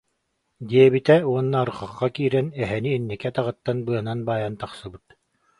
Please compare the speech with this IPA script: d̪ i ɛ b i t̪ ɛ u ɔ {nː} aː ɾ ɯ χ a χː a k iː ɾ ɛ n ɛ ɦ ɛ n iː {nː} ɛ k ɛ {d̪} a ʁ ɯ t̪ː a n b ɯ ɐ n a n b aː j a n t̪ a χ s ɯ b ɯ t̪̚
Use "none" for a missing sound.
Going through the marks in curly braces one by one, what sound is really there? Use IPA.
nː, nː, t̪

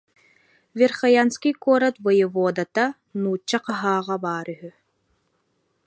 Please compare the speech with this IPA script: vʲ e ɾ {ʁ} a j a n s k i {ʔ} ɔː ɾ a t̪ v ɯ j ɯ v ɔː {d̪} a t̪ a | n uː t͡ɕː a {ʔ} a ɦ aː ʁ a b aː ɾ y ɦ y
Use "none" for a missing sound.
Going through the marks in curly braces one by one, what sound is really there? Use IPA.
χ, k, d̪, q

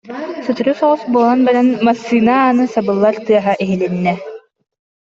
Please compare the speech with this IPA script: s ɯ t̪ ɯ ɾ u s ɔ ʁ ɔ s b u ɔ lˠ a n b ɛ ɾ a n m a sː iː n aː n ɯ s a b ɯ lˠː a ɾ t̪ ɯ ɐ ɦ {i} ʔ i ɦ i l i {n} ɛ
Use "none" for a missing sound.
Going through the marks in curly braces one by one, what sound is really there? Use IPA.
a, nː

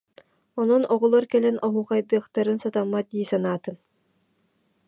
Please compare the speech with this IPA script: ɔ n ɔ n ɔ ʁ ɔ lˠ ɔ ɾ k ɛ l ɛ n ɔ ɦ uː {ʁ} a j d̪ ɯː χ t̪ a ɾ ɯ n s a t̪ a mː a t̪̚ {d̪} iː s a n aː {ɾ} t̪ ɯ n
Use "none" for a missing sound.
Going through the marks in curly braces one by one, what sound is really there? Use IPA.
χ, d̪, none

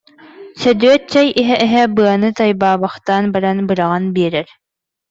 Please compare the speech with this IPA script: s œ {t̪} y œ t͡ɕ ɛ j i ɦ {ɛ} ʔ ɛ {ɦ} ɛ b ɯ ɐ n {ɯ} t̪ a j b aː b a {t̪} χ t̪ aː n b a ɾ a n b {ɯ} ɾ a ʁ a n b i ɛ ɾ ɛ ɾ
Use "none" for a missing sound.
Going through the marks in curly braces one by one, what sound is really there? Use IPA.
d̪, ɛ, ɦ, ɯ, none, ɯ

